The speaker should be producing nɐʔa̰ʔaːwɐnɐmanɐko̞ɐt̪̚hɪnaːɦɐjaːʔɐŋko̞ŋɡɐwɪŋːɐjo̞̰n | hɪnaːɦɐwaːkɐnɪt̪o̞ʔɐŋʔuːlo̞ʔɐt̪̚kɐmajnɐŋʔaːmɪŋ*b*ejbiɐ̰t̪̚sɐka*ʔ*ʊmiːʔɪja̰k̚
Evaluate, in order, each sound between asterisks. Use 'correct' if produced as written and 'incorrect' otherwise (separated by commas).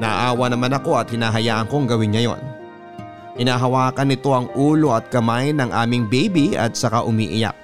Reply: correct, correct